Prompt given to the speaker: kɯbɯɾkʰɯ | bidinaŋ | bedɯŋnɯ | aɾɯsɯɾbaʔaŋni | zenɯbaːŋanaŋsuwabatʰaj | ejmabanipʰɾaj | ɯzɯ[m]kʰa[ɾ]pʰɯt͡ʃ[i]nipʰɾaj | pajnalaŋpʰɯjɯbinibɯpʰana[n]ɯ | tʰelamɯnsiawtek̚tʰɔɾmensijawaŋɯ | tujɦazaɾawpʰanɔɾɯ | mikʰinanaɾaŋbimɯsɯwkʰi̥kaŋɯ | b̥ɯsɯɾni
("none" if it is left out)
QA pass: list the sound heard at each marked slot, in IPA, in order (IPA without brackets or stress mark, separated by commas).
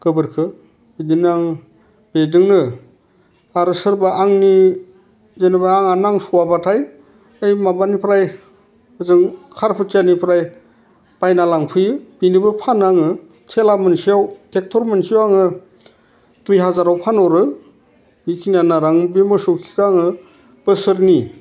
ŋ, ɾ, a, ŋ